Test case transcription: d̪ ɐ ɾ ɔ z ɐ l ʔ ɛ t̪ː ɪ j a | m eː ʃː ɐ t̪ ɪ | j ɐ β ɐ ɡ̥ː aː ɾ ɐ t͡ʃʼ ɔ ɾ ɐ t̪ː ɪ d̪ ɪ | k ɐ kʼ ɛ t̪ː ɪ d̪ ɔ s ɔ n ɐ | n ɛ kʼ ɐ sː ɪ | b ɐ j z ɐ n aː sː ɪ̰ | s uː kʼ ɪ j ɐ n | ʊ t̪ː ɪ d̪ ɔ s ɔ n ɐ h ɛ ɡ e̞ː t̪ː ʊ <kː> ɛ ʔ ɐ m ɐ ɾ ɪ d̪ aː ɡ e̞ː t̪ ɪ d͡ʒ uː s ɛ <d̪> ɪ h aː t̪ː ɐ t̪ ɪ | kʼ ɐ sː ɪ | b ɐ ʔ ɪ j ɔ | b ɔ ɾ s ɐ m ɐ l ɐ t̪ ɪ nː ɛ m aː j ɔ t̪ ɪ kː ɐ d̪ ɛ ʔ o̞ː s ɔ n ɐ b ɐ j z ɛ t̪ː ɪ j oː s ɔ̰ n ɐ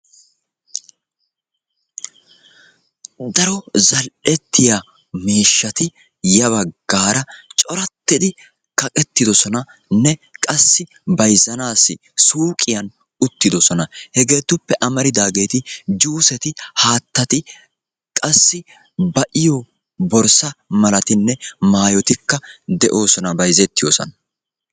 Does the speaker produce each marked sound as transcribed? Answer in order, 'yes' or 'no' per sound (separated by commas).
no, no